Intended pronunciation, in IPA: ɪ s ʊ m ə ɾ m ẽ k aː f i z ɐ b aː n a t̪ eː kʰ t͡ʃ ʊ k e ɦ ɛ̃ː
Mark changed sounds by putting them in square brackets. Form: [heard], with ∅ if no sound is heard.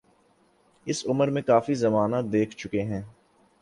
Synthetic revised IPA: ɪ s ʊ m ə ɾ m ẽ k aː f i z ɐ [m] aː n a [d̪] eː kʰ t͡ʃ ʊ k e ɦ ɛ̃ː